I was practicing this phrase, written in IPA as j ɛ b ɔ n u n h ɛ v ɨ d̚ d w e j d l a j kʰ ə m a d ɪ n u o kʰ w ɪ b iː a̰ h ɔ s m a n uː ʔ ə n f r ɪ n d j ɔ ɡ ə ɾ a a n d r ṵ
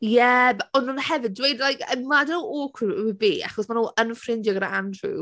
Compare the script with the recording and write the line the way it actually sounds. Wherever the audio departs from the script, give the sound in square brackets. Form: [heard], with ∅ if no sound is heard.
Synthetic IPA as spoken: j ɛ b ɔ n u n h ɛ v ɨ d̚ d w e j d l a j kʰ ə m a d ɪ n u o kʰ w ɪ b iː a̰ [χ] ɔ s m a n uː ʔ ə n f r ɪ n d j ɔ ɡ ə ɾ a a n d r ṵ